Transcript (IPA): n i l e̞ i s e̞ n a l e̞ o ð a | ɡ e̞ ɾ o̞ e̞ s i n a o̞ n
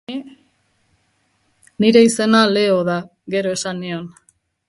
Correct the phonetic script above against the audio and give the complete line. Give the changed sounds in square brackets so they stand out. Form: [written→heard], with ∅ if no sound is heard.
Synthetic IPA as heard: n i [l→ɾ] e̞ i s e̞ n a l e̞ o ð a | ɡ e̞ ɾ o̞ e̞ s [i→a] n [a→i] o̞ n

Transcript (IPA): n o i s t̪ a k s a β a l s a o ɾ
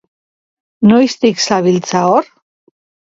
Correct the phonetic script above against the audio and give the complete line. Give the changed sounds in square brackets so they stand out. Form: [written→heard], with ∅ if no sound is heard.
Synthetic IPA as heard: n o [i→j] s t̪ [a→i] k s a β [a→i] l [s→t͡s] a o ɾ

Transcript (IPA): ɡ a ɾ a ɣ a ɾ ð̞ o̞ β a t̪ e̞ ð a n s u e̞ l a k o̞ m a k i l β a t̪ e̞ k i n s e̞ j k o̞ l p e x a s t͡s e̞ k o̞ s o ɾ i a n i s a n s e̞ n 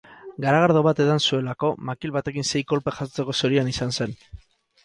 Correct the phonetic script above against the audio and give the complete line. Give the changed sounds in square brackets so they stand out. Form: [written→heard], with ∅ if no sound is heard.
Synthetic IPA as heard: ɡ a ɾ a ɣ a ɾ ð̞ o̞ β a t̪ e̞ ð a n s u e̞ l a k o̞ m a k i l β a t̪ e̞ k i n s e̞ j k o̞ l p e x a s t͡s e̞ k o̞ s o ɾ i a n i s a n s e̞ n

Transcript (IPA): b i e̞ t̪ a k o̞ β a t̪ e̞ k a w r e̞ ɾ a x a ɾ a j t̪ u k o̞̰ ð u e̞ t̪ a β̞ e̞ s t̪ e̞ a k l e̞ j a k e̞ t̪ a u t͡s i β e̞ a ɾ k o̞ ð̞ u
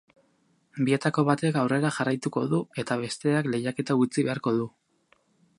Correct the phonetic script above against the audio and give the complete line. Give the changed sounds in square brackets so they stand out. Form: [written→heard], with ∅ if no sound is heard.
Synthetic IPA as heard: b i e̞ t̪ a k o̞ β a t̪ e̞ k a w r e̞ ɾ a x a [ɾ→r] a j t̪ u k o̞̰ ð u e̞ t̪ a β̞ e̞ s t̪ e̞ a k l e̞ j a k e̞ t̪ a u t͡s i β e̞ a ɾ k o̞ ð̞ u

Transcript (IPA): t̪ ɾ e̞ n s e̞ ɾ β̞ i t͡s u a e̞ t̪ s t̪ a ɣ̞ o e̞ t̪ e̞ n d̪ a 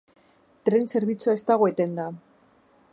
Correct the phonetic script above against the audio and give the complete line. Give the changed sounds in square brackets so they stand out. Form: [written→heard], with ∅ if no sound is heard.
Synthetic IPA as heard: t̪ ɾ e̞ n s e̞ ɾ β̞ i t͡s u a e̞ [t̪→∅] s t̪ a ɣ̞ o e̞ t̪ e̞ n d̪ a

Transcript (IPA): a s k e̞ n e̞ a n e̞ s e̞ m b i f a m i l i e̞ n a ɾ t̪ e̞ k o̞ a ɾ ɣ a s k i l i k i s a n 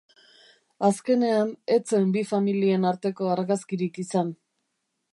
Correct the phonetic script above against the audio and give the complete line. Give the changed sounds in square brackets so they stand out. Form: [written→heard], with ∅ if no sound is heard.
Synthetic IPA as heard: a s k e̞ n e̞ a n e̞ [s→t͡s] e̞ m b i f a m i l i e̞ n a ɾ t̪ e̞ k o̞ a ɾ ɣ a s k i [l→ɾ] i k i s a n

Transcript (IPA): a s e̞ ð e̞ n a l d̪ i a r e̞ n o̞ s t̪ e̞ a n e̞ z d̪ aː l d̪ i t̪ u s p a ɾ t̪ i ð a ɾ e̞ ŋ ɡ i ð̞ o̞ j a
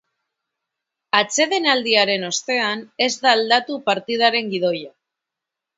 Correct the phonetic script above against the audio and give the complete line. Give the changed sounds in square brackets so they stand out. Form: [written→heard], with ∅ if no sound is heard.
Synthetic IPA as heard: a [s→t͡s] e̞ ð e̞ n a l d̪ i a [r→ɾ] e̞ n o̞ s t̪ e̞ a n e̞ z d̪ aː l d̪ [i→a] t̪ u [s→∅] p a ɾ t̪ i ð a ɾ e̞ ŋ ɡ i ð̞ o̞ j a

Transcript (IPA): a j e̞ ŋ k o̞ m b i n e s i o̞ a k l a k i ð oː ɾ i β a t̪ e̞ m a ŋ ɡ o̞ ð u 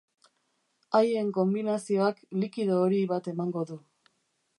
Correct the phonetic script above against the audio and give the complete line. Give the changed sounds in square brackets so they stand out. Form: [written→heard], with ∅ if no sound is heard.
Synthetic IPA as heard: a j e̞ ŋ k o̞ m b i n [e→a] s i o̞ a k l [a→i] k i ð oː ɾ i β a t̪ e̞ m a ŋ ɡ o̞ ð u

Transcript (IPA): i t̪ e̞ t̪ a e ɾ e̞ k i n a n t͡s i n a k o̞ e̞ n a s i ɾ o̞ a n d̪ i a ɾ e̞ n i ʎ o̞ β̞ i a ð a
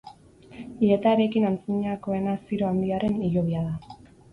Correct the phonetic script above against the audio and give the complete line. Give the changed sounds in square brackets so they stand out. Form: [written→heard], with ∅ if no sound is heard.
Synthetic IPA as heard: i [t̪→∅] e̞ t̪ a e ɾ e̞ k i n a n t͡s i [n→ɲ] a k o̞ e̞ n a s i ɾ o̞ a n d̪ i a ɾ e̞ n i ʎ o̞ β̞ i a ð a

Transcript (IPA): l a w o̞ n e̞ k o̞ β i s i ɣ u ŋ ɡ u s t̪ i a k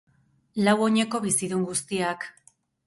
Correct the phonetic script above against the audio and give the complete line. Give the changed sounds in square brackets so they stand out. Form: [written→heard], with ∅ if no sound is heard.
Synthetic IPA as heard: l a w o̞ [n→ɲ] e̞ k o̞ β i s i [ɣ→ð] u ŋ ɡ u s t̪ i a k

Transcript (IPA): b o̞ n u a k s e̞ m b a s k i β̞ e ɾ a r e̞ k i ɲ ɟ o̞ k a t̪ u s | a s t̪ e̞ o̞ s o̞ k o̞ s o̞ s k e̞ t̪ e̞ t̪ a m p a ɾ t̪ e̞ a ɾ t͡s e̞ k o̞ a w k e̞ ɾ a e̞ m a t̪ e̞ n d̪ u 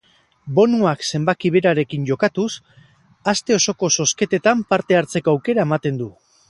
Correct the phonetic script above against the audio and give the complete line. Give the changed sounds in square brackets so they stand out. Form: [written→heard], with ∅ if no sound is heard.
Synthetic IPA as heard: b o̞ n u a k s e̞ m b a [s→∅] k i β̞ e ɾ a [r→ɾ] e̞ k i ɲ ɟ o̞ k a t̪ u s | a s t̪ e̞ o̞ s o̞ k o̞ s o̞ s k e̞ t̪ e̞ t̪ a m p a ɾ t̪ e̞ a ɾ t͡s e̞ k o̞ a w k e̞ ɾ a e̞ m a t̪ e̞ n d̪ u

